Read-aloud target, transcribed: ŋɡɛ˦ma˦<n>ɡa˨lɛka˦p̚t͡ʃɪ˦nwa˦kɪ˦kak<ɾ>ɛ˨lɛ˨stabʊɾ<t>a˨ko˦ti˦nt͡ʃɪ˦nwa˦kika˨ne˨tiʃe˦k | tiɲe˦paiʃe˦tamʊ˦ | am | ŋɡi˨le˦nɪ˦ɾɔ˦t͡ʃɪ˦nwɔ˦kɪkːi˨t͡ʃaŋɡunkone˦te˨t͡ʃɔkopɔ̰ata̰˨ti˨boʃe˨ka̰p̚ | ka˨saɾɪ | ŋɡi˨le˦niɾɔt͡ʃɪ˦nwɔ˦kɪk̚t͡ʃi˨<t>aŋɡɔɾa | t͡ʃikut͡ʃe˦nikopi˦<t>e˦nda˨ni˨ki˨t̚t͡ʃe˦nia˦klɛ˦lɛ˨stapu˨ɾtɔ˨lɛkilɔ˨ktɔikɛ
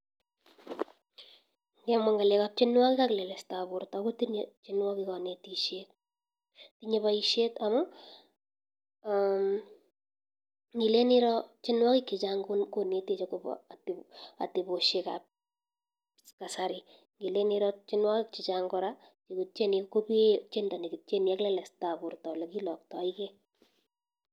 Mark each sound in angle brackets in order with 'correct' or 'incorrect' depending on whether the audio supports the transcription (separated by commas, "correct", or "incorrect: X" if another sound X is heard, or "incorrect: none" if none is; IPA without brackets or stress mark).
incorrect: ŋ, incorrect: l, correct, incorrect: t͡ʃ, incorrect: t͡ʃ